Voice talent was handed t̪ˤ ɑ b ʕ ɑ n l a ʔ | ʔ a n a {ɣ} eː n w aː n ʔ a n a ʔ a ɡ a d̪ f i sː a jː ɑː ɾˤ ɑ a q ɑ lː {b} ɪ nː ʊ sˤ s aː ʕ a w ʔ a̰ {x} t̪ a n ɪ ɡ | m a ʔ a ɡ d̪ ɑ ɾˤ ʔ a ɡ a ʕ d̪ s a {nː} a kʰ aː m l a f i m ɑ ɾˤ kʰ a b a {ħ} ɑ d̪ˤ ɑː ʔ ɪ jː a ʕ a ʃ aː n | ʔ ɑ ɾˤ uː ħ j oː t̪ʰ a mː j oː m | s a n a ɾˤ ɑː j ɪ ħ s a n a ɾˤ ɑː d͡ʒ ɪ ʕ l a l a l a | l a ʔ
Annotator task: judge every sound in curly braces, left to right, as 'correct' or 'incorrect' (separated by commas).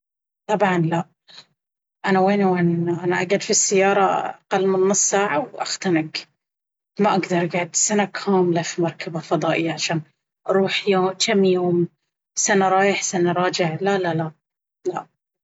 incorrect, incorrect, correct, incorrect, incorrect